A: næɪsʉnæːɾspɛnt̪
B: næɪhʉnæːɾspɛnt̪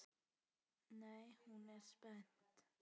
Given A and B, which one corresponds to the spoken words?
B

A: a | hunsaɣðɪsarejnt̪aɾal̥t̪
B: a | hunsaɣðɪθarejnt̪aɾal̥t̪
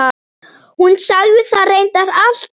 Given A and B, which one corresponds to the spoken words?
B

